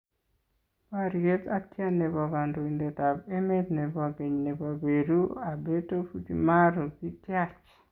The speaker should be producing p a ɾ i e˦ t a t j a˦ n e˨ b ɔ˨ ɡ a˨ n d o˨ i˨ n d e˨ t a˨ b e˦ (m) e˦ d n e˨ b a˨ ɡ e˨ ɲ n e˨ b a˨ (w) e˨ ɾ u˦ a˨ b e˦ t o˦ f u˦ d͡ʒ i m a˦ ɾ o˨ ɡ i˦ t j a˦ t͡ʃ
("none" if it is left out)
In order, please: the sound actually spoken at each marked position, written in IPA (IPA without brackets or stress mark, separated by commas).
m, b